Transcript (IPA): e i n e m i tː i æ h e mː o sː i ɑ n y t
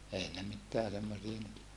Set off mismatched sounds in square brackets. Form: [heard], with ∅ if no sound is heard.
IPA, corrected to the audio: e i n e m i tː [e] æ [s] e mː o [s] i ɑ n y t